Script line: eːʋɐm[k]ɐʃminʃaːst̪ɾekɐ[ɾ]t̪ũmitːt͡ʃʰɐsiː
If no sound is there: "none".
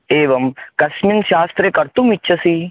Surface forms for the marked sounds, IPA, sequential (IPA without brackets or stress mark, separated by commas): k, ɾ